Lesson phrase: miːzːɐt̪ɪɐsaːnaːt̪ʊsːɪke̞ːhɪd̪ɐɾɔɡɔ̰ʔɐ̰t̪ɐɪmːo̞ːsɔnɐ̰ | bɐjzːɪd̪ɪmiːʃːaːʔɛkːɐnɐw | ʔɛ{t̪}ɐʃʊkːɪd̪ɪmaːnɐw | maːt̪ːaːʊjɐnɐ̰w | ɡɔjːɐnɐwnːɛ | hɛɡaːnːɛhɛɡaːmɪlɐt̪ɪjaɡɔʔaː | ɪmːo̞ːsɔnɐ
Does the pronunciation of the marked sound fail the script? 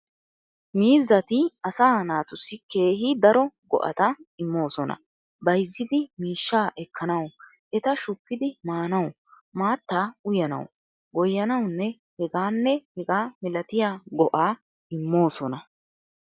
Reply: no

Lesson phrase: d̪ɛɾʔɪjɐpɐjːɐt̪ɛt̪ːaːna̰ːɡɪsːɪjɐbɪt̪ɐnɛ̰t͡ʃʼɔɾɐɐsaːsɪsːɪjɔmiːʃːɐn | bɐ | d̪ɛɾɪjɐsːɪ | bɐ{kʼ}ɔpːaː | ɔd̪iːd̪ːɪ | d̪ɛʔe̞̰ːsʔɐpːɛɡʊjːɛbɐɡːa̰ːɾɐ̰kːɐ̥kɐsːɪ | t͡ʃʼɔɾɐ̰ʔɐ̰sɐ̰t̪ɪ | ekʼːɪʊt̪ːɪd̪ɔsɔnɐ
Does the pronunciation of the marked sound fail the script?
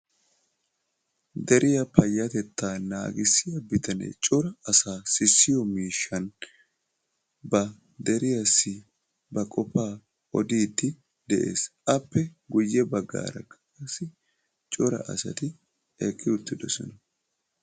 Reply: no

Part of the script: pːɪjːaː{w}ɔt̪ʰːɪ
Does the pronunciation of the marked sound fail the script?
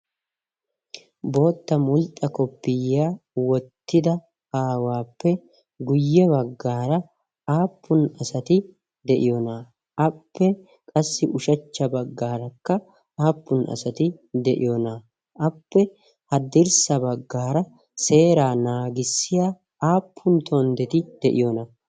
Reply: no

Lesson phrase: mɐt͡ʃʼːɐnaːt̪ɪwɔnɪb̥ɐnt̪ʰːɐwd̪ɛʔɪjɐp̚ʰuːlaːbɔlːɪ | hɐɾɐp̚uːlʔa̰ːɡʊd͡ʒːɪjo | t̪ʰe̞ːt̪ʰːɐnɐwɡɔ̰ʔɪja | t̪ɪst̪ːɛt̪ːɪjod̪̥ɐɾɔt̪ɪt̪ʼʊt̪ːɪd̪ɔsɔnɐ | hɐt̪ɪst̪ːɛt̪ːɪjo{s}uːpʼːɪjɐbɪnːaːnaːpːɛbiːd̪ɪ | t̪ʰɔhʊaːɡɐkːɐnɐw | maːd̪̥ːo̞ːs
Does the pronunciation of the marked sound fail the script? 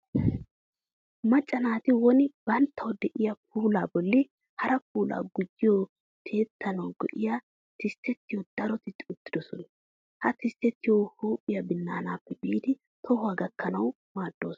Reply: yes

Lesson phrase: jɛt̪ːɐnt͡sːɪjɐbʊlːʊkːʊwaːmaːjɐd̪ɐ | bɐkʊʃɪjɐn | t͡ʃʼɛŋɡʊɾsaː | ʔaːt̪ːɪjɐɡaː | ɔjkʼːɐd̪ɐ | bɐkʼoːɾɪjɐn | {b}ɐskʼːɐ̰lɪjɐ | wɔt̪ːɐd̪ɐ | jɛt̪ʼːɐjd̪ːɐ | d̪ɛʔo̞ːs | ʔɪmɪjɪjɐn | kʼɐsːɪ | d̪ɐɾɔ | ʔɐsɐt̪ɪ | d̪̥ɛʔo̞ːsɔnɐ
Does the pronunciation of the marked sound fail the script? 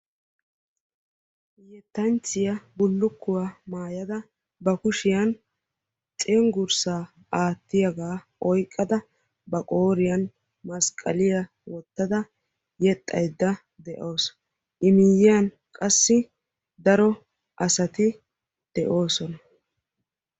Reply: yes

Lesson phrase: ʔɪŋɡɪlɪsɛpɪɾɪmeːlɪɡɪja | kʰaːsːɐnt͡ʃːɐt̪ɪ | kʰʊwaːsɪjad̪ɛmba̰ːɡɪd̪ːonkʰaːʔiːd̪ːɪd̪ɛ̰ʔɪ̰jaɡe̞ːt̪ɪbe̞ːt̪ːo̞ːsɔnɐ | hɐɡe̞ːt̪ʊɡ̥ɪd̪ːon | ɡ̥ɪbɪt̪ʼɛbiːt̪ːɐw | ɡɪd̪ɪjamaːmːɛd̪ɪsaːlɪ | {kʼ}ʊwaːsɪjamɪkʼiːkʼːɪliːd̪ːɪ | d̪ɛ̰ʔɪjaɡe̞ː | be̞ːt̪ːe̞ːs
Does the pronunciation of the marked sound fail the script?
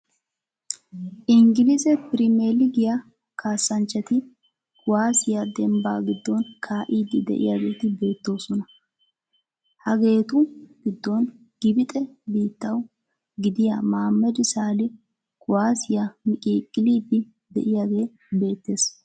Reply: yes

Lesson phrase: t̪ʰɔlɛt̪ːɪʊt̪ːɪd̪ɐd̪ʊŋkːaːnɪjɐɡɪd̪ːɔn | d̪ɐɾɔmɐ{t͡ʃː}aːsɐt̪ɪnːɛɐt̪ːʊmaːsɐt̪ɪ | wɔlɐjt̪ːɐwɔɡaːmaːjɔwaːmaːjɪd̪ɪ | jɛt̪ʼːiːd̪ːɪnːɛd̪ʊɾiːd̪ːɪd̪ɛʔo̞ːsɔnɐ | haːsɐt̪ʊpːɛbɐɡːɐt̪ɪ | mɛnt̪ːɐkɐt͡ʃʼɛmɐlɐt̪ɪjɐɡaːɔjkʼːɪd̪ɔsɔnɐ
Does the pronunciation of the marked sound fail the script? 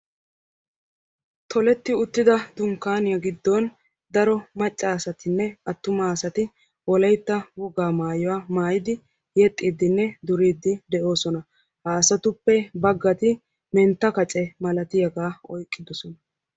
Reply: yes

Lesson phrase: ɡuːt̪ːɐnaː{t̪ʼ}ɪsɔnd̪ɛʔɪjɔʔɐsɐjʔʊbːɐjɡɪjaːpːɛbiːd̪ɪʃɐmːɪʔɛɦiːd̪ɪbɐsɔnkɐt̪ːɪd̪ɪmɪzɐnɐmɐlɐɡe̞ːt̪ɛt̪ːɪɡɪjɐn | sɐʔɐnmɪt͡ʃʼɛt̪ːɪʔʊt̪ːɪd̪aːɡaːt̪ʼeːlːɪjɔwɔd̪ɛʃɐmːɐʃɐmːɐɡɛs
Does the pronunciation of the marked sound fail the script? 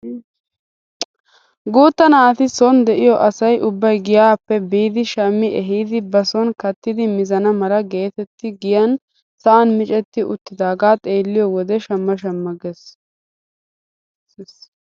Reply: yes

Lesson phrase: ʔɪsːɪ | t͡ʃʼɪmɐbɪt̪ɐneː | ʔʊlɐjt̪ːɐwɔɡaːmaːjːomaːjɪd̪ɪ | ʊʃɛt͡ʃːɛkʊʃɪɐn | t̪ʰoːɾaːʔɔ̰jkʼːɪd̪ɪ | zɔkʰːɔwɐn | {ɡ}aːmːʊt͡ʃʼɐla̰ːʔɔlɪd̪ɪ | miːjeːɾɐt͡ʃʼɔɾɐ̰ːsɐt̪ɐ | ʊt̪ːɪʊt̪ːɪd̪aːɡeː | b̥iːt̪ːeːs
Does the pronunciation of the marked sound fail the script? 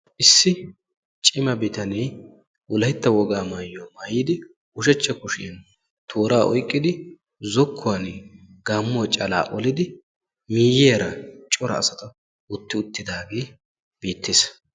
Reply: no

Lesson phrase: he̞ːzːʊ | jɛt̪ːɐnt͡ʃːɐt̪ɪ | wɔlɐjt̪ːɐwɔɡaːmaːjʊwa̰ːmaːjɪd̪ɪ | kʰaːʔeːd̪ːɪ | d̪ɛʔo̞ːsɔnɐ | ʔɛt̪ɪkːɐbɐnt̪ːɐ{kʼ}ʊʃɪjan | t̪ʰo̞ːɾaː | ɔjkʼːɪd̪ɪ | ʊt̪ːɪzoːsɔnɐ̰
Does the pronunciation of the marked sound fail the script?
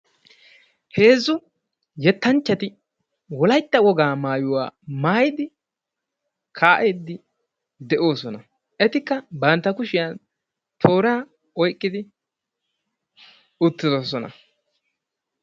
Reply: yes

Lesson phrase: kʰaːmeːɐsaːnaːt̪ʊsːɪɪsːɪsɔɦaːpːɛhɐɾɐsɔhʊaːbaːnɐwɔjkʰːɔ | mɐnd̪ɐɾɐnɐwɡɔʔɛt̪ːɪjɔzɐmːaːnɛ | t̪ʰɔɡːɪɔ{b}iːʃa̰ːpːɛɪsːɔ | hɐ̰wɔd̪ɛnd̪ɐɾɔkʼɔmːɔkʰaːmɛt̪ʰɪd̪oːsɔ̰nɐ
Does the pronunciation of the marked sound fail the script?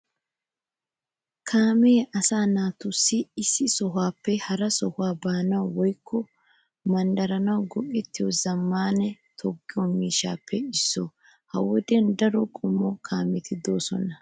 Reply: yes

